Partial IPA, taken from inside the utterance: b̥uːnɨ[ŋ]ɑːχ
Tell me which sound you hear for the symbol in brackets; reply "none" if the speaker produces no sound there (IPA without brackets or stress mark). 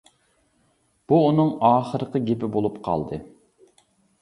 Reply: ŋ